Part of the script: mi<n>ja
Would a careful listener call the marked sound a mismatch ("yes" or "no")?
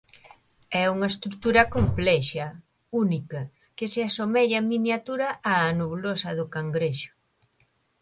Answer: no